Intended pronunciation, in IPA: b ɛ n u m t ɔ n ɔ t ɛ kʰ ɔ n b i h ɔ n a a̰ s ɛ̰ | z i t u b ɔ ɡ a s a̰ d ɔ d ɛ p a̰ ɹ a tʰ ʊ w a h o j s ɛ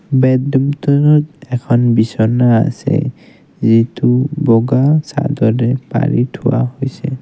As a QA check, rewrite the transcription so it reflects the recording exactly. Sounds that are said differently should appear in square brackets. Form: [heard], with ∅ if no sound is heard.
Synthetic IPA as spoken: b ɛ [d] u m t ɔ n ɔ t ɛ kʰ ɔ n b i [s] ɔ n a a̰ s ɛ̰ | z i t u b ɔ ɡ a s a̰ d ɔ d ɛ p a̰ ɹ [i] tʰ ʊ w a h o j s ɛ